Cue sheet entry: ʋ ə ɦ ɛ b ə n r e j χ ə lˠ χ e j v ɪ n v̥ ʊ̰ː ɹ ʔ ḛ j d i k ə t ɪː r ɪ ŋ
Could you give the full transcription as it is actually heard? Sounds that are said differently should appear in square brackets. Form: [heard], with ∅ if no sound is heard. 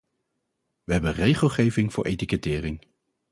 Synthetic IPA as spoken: ʋ ə ɦ ɛ b ə n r e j χ ə lˠ χ e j v ɪ [ŋ] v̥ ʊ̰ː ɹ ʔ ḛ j [t] i k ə t ɪː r ɪ ŋ